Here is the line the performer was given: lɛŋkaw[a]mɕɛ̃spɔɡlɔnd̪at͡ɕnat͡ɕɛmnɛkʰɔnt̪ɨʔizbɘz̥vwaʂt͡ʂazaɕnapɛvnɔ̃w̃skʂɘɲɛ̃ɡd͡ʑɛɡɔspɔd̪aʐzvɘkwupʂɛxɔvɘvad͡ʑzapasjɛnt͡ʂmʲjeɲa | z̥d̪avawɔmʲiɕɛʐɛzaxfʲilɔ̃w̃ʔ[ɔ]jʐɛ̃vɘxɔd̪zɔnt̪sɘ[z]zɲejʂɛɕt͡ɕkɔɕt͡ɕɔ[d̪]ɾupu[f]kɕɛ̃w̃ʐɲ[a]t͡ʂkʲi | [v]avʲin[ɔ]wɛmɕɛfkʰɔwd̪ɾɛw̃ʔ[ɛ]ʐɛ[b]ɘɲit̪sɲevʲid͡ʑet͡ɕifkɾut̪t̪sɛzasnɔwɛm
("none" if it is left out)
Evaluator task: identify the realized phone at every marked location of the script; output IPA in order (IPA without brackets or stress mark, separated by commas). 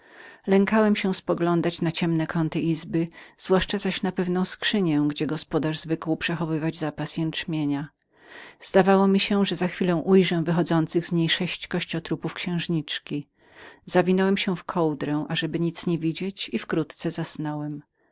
ɛ, u, ɣ, t̪, f, i, z, ɔ, a, b